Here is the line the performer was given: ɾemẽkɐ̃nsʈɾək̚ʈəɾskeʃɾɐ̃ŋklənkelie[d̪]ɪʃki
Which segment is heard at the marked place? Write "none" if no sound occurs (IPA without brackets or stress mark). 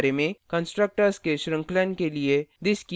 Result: d̪